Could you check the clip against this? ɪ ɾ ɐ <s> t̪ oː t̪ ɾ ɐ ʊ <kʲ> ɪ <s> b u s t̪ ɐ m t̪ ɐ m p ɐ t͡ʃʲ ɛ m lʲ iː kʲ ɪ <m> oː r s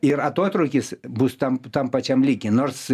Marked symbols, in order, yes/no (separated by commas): no, yes, yes, no